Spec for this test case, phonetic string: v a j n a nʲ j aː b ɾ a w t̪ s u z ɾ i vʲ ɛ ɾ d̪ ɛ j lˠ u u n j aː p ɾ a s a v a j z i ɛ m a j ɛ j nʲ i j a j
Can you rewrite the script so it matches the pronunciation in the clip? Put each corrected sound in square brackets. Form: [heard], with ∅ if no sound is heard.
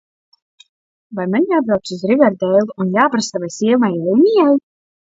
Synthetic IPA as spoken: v a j [m] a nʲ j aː b ɾ a w t̪ s u z ɾ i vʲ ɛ ɾ d̪ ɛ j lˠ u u n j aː p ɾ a s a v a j [s] i ɛ m a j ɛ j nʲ i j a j